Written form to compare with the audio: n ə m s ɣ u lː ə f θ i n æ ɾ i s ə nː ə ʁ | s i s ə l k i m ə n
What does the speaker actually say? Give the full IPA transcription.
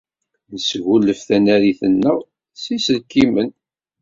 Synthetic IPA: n ə s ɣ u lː ə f θ æ n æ ɾ i θ ə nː ə ʁ | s i s ə l k i m ə n